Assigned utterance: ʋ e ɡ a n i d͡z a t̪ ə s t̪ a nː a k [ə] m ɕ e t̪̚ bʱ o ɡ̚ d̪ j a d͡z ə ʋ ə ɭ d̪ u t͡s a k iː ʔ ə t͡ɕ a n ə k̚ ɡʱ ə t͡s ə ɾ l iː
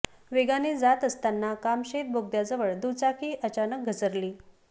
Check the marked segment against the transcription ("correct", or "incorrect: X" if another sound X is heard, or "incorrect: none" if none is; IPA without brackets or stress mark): incorrect: a